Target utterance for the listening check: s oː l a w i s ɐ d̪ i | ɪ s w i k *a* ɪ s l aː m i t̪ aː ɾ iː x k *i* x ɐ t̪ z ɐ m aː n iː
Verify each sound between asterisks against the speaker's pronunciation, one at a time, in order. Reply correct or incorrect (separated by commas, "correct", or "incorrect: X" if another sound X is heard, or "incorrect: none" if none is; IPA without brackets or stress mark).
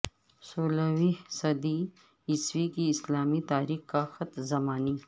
incorrect: i, incorrect: a